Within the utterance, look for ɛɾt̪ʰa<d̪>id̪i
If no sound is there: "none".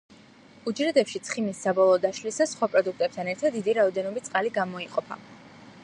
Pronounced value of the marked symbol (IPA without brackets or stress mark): d̪ː